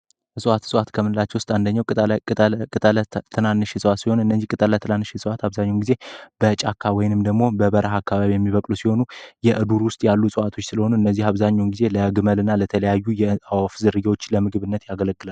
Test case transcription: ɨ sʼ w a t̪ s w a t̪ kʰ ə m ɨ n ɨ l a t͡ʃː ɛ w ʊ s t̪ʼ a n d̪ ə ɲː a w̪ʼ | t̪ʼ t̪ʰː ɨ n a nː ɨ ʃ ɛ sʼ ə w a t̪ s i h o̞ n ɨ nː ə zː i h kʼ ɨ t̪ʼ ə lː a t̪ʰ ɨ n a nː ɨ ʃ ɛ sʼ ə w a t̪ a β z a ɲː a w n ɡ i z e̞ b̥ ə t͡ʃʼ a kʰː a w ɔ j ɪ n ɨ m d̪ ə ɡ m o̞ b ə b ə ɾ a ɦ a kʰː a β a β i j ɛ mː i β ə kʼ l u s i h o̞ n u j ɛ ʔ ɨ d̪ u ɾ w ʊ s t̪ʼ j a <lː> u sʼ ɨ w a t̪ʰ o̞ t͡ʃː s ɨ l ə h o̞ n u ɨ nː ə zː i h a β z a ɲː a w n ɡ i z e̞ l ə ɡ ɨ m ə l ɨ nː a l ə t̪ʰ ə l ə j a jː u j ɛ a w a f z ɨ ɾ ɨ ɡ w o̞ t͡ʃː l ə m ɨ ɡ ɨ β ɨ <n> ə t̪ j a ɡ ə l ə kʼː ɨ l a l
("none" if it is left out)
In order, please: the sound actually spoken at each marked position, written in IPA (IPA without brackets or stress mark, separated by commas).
lː, nː